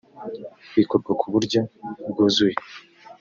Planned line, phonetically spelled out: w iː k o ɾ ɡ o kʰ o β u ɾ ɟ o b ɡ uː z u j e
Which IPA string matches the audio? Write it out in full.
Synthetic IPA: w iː k o ɾ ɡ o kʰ u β u ɾ ɟ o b ɡ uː z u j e